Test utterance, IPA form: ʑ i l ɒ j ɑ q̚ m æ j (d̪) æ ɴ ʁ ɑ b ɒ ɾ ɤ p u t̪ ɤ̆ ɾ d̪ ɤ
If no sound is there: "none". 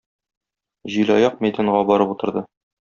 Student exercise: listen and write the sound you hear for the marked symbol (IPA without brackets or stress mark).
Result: d̪